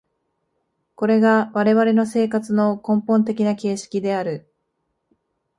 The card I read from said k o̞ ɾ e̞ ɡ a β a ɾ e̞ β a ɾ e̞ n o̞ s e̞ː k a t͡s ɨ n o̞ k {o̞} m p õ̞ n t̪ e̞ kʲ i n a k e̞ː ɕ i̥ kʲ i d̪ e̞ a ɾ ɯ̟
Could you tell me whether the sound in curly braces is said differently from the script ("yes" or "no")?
yes